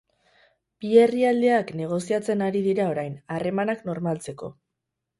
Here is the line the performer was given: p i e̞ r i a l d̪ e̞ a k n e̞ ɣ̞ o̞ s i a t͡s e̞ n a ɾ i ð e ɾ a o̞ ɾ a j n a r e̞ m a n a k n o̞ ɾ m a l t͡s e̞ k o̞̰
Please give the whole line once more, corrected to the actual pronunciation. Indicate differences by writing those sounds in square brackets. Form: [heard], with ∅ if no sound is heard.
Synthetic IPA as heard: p i e̞ r i a l d̪ e̞ a k n e̞ ɣ̞ o̞ s i a t͡s e̞ n a ɾ i ð [i] ɾ a o̞ ɾ a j n a r e̞ m a n a k n o̞ ɾ m a l t͡s e̞ k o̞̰